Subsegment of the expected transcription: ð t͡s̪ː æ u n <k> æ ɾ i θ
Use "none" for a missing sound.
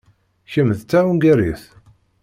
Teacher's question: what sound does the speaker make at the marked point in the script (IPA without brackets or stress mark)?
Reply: ɡ